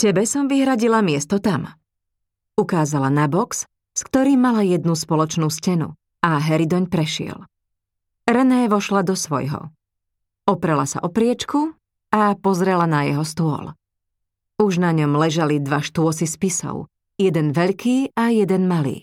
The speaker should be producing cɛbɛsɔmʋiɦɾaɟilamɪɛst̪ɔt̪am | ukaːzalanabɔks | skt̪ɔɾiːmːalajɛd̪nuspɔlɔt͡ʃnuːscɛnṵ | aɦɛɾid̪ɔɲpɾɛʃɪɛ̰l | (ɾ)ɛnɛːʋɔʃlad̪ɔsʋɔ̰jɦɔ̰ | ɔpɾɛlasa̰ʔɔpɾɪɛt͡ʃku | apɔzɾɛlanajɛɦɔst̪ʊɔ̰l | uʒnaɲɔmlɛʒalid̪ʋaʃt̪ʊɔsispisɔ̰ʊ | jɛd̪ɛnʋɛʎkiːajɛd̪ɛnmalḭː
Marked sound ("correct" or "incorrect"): correct